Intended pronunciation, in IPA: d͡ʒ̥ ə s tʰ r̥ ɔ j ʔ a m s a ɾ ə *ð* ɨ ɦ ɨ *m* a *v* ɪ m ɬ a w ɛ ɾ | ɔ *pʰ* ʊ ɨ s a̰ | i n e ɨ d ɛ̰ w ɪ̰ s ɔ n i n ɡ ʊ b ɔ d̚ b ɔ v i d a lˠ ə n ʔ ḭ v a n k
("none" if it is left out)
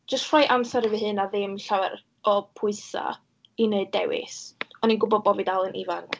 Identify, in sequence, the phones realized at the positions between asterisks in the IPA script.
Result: v, n, ð, pʰ

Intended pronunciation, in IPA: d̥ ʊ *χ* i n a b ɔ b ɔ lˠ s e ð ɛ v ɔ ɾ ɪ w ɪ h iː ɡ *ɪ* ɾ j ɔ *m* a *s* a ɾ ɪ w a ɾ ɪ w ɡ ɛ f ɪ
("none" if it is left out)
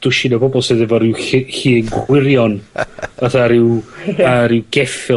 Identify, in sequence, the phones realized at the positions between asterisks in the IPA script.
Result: ʃ, ɪ, n, θ

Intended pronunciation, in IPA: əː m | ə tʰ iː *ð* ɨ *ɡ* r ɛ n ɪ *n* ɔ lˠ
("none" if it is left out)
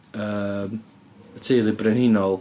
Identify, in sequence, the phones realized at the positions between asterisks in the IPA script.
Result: ð, b, n

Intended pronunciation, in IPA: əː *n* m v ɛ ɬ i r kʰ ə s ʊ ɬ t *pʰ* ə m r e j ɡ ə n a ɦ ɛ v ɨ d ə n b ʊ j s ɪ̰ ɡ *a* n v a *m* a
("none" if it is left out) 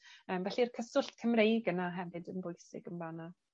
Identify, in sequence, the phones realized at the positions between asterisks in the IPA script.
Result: none, kʰ, ə, n

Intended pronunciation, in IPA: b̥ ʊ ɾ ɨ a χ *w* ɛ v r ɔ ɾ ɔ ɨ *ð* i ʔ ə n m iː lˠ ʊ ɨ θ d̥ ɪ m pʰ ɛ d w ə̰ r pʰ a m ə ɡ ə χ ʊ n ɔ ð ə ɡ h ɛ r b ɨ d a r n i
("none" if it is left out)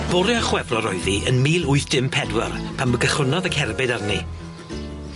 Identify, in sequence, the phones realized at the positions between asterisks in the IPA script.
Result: w, ð

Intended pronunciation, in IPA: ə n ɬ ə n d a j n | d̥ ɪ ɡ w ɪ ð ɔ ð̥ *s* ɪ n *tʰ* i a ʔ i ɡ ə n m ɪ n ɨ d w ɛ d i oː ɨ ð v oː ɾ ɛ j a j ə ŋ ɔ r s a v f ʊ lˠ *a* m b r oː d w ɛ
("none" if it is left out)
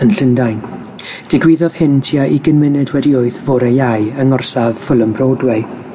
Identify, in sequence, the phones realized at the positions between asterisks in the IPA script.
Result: h, tʰ, ə

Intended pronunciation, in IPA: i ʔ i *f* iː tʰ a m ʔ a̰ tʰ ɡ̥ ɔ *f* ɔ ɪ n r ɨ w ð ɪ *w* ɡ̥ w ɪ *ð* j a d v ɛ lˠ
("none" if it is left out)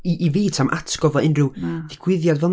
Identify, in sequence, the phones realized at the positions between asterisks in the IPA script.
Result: v, v, none, ð

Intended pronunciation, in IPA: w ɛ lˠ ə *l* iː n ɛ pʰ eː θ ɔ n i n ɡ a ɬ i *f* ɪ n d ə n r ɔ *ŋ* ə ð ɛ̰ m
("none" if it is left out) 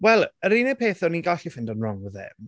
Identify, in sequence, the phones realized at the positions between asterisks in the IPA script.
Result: ɾ, f, ŋ

